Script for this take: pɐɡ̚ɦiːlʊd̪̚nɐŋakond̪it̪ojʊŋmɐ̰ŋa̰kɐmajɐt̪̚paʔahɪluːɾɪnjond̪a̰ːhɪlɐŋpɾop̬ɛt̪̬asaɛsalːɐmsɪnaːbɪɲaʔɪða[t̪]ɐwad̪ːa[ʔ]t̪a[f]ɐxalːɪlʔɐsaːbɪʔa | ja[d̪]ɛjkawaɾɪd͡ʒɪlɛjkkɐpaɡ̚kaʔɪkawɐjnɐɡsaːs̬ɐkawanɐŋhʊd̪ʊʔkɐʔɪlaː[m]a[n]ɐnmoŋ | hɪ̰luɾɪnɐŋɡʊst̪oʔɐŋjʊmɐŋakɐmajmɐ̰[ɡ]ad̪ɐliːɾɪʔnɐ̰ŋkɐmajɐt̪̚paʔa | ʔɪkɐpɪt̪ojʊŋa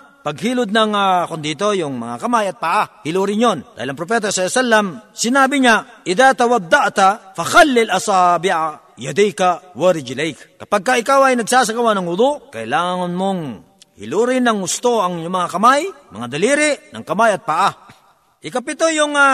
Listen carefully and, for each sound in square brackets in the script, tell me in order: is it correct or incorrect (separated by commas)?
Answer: correct, correct, correct, correct, incorrect, incorrect, incorrect